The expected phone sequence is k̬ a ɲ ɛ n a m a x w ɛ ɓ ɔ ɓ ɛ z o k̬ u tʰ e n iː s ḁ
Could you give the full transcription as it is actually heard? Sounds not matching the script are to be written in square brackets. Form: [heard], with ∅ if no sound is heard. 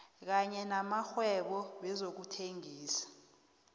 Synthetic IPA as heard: k̬ a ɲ ɛ n a m a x w ɛ ɓ ɔ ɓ ɛ z o k̬ u tʰ e [ŋ] iː s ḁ